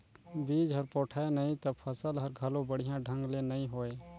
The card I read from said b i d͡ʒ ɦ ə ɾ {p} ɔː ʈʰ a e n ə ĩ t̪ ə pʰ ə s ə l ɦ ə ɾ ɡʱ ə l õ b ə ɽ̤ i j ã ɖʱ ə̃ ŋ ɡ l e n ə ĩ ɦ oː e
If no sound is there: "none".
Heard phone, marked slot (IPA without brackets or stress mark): p